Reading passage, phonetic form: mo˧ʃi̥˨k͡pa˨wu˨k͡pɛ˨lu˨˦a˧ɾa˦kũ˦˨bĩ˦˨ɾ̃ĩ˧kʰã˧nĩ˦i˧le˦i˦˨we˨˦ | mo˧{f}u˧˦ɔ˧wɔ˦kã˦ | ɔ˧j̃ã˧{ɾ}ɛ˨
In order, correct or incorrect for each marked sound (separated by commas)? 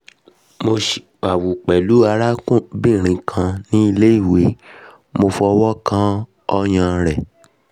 correct, correct